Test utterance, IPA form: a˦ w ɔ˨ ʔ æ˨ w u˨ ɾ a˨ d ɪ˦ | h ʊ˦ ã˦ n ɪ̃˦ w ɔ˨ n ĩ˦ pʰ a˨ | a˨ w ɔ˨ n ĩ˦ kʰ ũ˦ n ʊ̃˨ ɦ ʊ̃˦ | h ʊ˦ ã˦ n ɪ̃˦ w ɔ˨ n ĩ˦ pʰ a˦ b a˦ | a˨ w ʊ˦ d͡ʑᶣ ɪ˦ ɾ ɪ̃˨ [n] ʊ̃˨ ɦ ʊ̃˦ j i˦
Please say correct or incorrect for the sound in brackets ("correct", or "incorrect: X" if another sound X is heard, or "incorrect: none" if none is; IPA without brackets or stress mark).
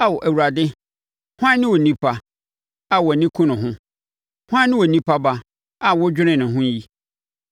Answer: correct